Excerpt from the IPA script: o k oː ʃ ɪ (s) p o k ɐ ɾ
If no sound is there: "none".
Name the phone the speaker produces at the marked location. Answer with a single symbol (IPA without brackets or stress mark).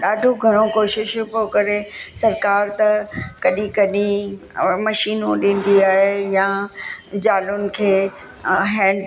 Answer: ʃ